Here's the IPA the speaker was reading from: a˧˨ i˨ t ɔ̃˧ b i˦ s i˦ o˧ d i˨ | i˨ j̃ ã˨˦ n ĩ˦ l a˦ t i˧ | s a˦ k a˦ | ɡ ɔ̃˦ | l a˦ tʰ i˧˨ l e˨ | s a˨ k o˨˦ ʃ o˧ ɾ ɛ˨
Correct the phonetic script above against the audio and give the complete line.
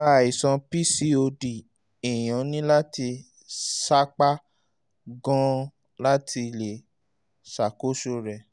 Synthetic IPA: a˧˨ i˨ s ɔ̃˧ p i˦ s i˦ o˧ d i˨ | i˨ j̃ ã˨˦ n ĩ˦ l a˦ t i˧ | s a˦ k͡p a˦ | ɡ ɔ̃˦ | l a˦ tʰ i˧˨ l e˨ | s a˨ k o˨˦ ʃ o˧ ɾ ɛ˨